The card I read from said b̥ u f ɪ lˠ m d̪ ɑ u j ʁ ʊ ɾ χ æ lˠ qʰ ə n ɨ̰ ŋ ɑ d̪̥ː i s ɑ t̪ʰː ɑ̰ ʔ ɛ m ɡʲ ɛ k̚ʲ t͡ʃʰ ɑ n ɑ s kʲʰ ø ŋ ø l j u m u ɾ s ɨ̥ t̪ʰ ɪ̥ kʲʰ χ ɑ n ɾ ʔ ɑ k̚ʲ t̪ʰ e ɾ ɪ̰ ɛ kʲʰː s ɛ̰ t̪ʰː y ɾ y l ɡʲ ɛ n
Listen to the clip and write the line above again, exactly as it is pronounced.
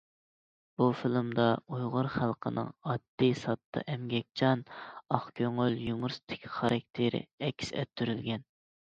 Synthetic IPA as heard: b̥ u f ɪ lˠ m d̪ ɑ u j ʁ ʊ ɾ χ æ lˠ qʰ ə n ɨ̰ ŋ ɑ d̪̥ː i s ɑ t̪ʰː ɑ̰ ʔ ɛ m ɡʲ ɛ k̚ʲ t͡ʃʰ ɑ n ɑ χ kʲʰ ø ŋ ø l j u m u ɾ s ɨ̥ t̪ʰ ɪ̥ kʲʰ χ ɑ ɾ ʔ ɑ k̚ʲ t̪ʰ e ɾ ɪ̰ ɛ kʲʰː s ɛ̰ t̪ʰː y ɾ y l ɡʲ ɛ n